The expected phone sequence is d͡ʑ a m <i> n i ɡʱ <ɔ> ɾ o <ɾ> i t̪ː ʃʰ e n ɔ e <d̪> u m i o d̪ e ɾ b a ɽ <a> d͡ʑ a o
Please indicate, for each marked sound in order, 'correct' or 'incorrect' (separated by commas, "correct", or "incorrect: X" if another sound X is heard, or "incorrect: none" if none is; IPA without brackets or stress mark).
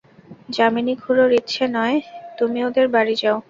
correct, incorrect: u, correct, incorrect: t̪, incorrect: i